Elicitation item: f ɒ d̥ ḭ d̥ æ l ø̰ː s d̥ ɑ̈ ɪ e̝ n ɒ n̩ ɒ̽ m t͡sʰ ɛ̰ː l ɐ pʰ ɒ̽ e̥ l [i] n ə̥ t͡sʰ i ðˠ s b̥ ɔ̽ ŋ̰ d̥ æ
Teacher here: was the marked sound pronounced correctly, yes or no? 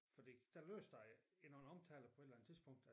no